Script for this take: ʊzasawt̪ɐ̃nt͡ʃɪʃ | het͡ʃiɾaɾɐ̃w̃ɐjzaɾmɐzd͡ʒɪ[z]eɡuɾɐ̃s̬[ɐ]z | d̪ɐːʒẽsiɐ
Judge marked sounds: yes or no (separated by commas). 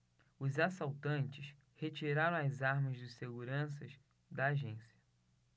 no, yes